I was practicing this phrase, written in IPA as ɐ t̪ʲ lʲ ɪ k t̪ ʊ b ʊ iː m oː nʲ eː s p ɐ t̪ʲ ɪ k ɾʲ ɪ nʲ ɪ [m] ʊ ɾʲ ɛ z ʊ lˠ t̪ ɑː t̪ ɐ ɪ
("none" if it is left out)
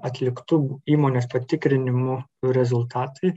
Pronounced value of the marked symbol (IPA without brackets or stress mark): m